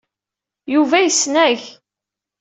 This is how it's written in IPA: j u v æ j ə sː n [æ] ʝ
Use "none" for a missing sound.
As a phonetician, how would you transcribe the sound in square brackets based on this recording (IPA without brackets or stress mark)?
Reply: æ